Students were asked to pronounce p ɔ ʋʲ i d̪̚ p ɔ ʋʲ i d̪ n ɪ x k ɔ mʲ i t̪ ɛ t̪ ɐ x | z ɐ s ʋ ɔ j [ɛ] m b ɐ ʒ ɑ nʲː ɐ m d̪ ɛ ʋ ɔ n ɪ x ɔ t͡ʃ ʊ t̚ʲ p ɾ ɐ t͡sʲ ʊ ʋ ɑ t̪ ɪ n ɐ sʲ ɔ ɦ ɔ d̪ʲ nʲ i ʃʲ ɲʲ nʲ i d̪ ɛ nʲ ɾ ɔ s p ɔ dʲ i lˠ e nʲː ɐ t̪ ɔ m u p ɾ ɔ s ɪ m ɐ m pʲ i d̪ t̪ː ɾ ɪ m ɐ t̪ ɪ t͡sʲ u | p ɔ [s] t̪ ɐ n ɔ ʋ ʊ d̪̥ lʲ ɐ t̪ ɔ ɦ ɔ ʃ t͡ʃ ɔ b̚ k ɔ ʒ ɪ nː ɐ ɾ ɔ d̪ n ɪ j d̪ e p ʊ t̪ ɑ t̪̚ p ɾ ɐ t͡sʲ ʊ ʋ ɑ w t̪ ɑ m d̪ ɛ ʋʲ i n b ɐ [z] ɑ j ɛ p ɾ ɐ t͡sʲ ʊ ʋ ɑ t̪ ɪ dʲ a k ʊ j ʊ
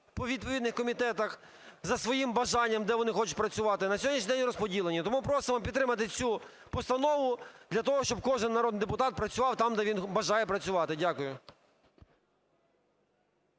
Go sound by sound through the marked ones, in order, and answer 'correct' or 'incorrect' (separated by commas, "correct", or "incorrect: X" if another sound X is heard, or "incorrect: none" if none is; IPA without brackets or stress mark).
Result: incorrect: i, correct, incorrect: ʒ